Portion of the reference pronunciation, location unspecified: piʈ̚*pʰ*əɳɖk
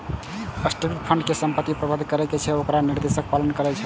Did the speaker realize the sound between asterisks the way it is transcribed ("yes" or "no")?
yes